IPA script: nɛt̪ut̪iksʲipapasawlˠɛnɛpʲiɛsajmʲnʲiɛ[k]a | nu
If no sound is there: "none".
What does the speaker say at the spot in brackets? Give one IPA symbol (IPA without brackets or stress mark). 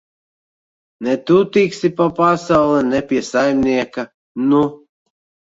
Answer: k